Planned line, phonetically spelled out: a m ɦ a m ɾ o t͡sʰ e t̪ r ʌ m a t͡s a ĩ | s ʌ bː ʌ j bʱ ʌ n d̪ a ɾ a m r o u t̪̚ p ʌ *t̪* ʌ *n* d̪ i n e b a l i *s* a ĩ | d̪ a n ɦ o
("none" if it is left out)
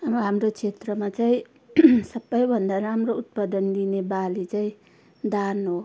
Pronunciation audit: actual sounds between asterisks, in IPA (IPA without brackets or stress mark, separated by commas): d̪, n, t͡s